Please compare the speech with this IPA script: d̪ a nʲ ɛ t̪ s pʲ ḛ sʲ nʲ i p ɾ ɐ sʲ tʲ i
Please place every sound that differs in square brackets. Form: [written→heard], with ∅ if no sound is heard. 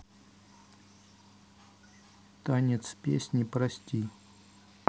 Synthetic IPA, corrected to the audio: [d̪→t̪] a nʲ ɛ t̪ s pʲ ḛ sʲ nʲ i p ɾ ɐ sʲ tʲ i